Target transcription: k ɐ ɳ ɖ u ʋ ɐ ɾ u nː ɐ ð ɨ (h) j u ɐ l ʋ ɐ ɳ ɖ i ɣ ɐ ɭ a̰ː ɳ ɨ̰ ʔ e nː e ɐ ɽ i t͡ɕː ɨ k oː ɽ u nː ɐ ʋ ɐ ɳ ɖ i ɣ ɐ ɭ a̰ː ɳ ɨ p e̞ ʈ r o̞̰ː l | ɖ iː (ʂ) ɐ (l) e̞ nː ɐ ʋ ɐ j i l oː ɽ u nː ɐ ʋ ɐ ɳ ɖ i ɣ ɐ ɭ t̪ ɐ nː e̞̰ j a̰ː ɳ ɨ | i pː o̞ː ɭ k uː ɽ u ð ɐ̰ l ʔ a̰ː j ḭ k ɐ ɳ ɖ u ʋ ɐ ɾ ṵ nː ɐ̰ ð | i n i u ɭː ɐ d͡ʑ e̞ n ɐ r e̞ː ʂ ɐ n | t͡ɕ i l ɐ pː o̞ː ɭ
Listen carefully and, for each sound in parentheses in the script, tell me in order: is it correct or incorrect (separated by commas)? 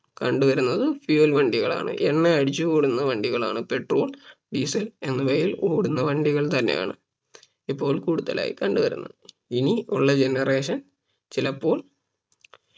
incorrect, incorrect, correct